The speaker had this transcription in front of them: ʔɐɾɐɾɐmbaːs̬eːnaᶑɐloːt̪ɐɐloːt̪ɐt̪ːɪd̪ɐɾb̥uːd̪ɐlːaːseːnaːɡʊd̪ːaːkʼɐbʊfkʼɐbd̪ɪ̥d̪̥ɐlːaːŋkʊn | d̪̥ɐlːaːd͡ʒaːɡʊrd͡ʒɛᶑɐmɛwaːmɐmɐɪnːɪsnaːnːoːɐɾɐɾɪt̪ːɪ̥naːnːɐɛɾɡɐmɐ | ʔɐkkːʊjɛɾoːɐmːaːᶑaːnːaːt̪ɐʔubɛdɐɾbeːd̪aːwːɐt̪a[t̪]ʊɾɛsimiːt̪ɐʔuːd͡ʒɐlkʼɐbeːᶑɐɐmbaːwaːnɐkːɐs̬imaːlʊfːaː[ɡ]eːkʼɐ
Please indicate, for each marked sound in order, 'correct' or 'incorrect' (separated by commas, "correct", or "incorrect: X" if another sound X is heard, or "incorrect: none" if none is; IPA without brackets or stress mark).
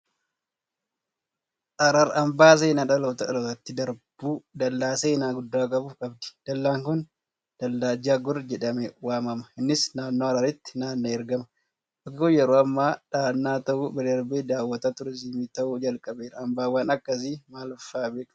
correct, incorrect: b